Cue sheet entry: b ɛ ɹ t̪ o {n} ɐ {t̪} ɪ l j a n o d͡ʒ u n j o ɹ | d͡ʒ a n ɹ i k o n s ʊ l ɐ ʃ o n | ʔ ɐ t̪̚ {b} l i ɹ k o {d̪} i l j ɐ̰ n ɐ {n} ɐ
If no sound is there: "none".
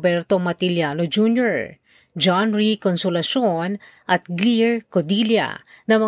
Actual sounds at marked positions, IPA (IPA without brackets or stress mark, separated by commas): m, t̪, ɡ, d̪, m